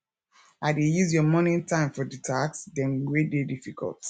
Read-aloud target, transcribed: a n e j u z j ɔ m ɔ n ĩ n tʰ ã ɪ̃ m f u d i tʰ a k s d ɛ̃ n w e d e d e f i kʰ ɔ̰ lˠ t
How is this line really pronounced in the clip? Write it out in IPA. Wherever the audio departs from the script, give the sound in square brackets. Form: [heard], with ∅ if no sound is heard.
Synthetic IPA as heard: a [d] e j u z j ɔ m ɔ n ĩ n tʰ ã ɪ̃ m f [ɔ] d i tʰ a k s d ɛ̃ n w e d e d [i] f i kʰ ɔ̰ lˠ t